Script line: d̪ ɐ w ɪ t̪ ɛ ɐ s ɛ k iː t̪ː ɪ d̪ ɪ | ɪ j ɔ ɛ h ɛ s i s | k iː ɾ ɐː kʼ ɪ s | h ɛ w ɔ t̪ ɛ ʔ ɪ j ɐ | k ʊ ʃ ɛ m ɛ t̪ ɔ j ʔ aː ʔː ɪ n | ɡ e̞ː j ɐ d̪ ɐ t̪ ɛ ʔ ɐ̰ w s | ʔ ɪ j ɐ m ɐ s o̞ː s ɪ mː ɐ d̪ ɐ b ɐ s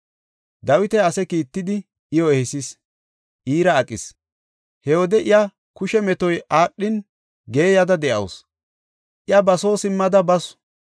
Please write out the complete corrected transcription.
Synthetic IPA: d̪ ɐ w ɪ t̪ ɛ ɐ s ɛ k iː t̪ː ɪ d̪ ɪ | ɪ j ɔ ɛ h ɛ s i s | ʔ iː ɾ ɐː kʼ ɪ s | h ɛ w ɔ d̪ ɛ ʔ ɪ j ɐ | k ʊ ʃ ɛ m ɛ t̪ ɔ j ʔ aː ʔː ɪ n | ɡ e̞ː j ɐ d̪ ɐ d̪ ɛ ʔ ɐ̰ w s | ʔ ɪ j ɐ b ɐ s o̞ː s ɪ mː ɐ d̪ ɐ b ɐ s